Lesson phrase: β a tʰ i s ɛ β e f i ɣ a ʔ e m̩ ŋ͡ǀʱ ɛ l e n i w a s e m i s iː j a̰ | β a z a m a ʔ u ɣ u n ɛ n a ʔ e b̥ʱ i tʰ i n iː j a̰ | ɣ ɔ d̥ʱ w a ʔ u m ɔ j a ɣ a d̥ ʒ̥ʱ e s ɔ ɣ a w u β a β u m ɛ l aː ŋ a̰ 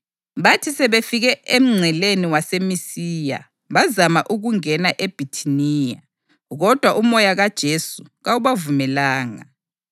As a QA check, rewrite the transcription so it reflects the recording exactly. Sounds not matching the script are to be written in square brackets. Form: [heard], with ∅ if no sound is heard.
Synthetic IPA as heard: β a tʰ i s ɛ β e f i ɣ [ɛ] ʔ e m̩ ŋ͡ǀʱ ɛ l e n i w a s e m i s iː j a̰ | β a z a m a ʔ u ɣ u [ŋ] ɛ n a ʔ e b̥ʱ i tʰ i n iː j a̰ | ɣ ɔ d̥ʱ w a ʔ u m ɔ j a ɣ a d̥ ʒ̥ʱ e s [u] ɣ a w u β a [v] u m ɛ l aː ŋ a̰